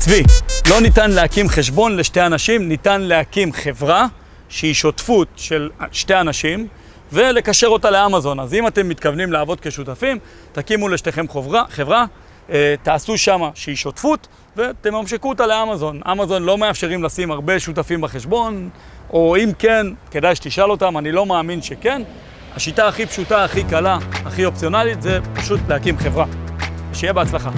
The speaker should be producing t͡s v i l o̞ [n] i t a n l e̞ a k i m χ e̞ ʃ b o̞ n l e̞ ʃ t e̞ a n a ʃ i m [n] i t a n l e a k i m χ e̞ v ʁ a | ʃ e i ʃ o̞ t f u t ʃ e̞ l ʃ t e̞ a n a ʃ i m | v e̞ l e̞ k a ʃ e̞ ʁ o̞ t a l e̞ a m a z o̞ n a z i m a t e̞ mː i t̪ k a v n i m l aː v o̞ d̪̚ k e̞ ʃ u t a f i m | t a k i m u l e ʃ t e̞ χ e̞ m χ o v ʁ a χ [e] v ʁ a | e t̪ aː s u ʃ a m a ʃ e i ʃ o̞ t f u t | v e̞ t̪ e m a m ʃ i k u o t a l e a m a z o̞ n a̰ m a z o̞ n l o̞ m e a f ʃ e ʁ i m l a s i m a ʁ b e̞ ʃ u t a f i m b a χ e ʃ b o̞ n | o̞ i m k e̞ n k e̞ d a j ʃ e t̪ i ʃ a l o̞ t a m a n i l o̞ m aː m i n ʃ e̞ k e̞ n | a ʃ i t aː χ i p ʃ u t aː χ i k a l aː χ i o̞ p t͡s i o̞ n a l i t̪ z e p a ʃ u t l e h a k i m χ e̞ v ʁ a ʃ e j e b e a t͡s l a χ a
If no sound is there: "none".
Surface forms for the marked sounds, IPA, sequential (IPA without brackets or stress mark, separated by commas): n, n, e